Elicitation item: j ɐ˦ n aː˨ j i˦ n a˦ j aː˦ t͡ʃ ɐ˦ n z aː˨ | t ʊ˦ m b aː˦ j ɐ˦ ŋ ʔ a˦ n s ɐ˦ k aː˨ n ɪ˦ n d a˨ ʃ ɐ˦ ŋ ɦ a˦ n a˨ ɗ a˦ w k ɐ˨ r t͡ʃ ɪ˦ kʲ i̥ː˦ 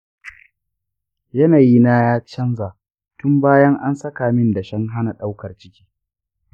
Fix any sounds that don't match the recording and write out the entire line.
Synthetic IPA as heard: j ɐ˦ n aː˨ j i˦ n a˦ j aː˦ t͡ʃ ɐ˦ n z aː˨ | t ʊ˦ m b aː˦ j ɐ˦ ŋ ʔ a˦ n s ɐ˦ k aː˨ m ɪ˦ n d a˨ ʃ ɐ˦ ŋ ɦ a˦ n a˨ ɗ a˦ w k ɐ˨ r t͡ʃ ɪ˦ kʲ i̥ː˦